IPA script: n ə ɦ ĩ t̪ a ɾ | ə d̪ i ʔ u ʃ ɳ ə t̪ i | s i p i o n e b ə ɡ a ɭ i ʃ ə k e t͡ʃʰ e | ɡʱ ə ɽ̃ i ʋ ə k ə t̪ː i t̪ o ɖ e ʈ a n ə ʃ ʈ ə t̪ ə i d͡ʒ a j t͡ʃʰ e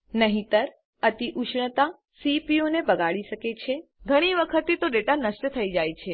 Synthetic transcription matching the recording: n ə ɦ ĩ t̪ ə ɾ | ə t̪ i ʔ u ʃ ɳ ə t̪ a | s i p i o n e b ə ɡ a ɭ i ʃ ə k e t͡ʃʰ e | ɡʱ ə ɽ̃ i ʋ ə kʰ ə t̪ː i t̪ o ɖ e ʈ a n ə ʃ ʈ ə t̪ʰ ə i d͡ʒ a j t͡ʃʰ e